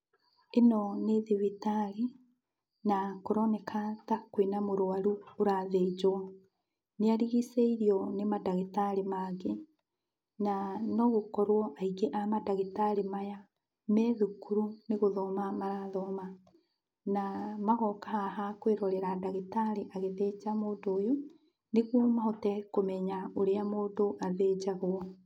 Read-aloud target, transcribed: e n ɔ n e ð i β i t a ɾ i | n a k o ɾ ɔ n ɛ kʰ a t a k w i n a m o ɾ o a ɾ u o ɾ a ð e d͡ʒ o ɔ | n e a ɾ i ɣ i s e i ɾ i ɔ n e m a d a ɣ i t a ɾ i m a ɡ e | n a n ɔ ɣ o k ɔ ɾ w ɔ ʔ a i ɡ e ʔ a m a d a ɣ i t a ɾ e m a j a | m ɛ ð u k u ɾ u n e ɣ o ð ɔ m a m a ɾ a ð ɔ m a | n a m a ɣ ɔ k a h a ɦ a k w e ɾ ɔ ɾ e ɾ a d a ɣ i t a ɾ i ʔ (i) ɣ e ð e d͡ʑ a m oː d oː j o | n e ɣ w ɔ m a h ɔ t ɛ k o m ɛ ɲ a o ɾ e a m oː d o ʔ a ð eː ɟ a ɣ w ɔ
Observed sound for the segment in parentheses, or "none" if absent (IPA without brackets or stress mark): a